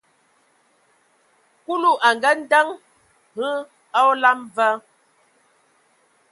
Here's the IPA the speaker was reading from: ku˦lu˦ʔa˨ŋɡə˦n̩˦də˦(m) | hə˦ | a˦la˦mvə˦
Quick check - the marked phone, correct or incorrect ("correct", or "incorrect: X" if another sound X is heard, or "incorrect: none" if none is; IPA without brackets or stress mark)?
incorrect: ŋ